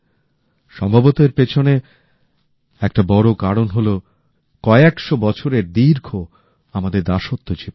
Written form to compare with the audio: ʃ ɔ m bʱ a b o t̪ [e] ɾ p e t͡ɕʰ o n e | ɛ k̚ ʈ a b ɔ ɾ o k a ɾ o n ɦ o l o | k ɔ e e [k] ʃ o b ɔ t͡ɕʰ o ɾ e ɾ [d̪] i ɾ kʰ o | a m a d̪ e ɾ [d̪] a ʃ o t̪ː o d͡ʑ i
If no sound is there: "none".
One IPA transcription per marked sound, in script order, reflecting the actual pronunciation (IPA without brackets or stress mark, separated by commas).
e, k, d̪, d̪